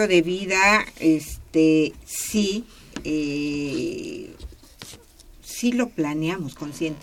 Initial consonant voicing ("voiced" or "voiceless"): voiced